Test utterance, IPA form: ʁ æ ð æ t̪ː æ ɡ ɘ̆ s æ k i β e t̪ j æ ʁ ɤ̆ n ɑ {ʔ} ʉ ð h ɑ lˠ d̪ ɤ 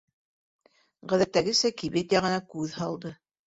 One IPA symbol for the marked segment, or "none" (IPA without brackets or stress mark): k